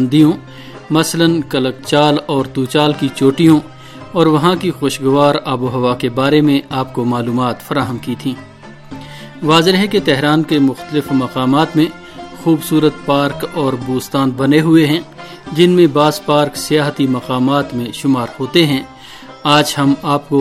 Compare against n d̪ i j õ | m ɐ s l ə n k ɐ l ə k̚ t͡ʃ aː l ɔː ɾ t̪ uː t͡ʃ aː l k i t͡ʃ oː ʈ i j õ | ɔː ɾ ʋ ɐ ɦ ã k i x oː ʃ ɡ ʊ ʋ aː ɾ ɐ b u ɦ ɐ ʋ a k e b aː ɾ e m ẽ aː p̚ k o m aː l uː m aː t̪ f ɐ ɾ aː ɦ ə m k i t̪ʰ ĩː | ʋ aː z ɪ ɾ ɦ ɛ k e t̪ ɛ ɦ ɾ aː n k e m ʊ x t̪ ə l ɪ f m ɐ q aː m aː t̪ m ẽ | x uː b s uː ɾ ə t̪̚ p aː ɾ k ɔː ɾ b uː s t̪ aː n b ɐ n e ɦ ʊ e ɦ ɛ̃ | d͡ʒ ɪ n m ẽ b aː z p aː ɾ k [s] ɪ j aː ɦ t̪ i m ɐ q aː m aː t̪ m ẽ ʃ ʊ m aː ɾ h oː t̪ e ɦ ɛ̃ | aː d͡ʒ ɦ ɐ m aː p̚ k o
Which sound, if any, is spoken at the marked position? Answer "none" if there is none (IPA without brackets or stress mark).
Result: s